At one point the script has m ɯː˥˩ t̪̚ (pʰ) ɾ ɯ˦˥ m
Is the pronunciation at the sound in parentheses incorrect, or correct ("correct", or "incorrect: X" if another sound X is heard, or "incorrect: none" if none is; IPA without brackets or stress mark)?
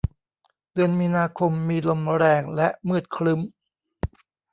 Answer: incorrect: kʰ